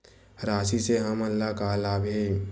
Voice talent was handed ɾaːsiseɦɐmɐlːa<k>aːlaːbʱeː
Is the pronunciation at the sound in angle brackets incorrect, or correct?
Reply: correct